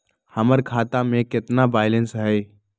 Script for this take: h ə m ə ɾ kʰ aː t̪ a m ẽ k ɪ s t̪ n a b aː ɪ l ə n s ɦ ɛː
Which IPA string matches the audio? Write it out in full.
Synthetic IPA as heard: h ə m ə ɾ kʰ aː t̪ a m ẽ k ɪ t̪ n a b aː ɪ l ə n s ɦ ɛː